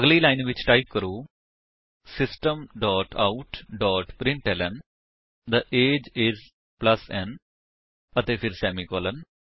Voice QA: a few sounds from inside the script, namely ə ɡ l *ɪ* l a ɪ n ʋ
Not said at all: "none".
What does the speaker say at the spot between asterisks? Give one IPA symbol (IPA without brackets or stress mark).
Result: i